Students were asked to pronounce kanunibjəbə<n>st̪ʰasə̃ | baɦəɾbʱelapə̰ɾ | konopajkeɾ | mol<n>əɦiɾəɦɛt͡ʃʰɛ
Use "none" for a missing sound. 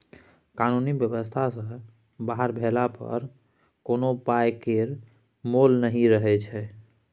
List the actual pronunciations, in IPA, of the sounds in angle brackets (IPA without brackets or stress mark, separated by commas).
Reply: none, n